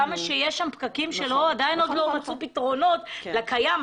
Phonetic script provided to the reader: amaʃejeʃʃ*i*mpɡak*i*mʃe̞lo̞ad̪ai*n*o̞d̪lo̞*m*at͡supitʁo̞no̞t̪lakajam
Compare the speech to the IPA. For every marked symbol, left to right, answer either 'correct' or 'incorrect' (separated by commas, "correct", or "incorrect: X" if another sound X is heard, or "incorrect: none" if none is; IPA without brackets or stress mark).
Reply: incorrect: a, correct, correct, correct